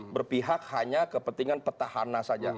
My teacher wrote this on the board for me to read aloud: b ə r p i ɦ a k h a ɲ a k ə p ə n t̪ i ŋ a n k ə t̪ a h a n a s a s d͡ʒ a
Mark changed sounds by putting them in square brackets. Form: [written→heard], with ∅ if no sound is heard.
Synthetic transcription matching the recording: b ə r p i ɦ a k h a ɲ a k ə p ə n t̪ i ŋ a n [k→p] ə t̪ a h a n a s a [s→∅] d͡ʒ a